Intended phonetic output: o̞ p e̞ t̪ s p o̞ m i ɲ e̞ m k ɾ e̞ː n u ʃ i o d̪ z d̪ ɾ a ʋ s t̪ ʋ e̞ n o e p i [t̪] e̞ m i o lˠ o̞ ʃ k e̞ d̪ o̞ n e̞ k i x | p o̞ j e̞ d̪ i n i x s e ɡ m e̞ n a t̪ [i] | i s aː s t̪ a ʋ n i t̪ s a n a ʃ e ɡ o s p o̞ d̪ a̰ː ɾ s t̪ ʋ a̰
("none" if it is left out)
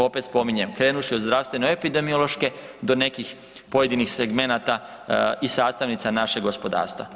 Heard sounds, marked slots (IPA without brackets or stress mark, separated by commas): d̪, a